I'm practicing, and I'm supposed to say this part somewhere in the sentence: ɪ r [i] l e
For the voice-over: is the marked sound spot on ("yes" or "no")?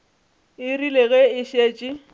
yes